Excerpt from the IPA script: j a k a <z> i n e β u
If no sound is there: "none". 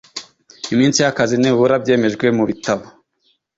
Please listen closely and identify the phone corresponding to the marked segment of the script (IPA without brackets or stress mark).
z